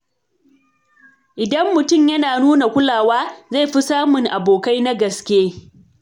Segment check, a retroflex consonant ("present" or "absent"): absent